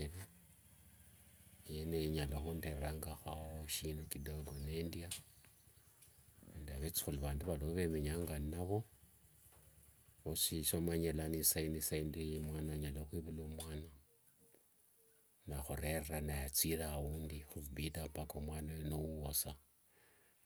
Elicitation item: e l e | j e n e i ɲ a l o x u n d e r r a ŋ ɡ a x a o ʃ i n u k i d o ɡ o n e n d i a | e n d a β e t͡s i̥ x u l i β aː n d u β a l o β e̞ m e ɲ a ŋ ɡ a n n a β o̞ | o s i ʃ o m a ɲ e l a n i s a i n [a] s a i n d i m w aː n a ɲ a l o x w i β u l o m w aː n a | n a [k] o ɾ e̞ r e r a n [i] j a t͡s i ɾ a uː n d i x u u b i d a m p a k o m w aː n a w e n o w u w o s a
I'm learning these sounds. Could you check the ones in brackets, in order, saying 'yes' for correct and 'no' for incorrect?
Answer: no, no, no

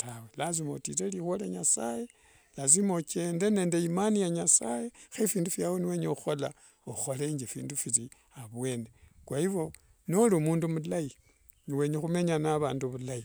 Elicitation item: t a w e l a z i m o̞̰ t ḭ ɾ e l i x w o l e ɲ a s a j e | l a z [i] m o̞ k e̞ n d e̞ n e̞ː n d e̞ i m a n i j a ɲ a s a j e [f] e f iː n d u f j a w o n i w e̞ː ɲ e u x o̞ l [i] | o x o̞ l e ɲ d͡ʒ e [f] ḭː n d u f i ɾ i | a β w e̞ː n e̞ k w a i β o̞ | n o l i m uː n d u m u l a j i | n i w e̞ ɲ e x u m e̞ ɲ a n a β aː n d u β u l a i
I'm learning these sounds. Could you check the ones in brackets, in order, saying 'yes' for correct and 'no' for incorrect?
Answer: yes, no, no, yes

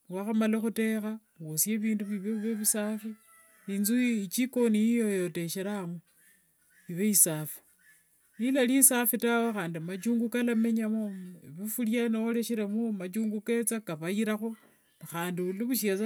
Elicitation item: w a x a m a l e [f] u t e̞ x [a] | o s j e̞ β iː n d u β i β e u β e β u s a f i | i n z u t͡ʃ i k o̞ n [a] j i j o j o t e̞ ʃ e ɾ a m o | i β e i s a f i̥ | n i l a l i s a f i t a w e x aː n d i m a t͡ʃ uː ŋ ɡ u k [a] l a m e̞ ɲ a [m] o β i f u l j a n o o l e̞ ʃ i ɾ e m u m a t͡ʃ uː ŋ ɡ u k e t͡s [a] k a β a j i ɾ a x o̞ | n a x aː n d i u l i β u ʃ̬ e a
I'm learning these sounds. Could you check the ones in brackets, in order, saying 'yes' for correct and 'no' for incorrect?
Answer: no, yes, no, yes, yes, yes

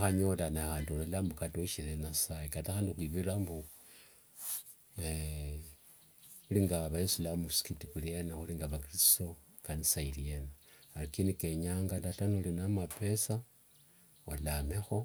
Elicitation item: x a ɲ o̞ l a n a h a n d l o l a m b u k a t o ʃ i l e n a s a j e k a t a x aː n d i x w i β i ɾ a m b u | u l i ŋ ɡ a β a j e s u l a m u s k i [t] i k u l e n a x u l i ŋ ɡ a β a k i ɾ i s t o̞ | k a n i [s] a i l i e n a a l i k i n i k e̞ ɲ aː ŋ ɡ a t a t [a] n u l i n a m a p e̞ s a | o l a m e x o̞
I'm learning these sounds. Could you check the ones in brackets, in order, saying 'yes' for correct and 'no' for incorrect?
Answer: yes, yes, yes

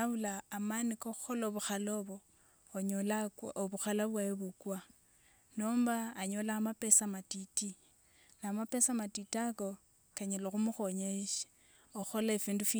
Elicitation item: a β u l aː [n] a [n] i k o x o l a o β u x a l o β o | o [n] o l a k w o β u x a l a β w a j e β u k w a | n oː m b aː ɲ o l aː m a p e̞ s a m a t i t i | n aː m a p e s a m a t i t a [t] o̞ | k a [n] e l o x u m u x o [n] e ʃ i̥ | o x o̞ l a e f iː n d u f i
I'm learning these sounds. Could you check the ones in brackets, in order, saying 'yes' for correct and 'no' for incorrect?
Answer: no, yes, no, no, no, no

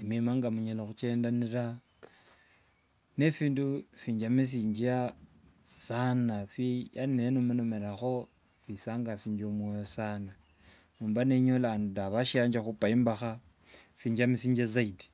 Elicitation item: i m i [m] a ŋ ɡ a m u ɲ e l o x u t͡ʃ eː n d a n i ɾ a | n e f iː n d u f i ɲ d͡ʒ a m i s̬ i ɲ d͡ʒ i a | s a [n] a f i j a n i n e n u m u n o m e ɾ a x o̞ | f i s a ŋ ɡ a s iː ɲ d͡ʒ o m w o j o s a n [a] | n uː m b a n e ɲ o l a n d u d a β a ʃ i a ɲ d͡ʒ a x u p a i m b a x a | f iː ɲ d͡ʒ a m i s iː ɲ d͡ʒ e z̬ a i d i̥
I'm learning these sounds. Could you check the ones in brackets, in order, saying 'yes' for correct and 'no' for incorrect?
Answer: yes, yes, yes

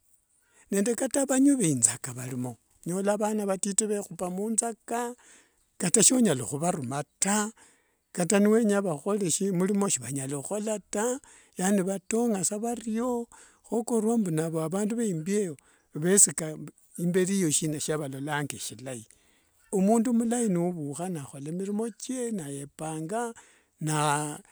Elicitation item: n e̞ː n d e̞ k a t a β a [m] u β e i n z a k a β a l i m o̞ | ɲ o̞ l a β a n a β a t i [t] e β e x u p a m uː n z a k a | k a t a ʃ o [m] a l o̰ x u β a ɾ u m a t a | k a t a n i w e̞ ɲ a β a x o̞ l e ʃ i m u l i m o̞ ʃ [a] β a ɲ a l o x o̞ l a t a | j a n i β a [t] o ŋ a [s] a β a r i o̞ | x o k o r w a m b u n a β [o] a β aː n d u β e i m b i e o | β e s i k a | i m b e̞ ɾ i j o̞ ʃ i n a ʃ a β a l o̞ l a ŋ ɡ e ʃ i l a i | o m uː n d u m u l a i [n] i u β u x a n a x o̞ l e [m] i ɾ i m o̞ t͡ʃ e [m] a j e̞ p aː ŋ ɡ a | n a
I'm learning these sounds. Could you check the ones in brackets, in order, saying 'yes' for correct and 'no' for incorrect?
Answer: no, yes, no, no, yes, yes, yes, yes, yes, no

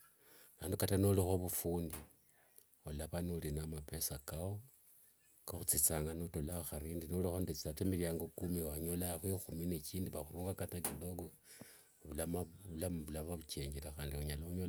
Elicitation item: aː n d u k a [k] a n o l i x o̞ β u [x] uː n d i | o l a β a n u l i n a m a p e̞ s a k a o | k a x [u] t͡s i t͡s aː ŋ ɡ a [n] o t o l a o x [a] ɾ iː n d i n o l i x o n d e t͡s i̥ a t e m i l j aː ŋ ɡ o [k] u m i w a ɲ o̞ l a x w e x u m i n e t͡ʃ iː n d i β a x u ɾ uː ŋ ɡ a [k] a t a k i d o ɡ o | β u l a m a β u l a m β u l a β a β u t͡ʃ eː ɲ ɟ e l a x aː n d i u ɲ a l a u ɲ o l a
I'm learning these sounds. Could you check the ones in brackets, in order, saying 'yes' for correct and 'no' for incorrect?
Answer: no, no, yes, yes, yes, yes, yes

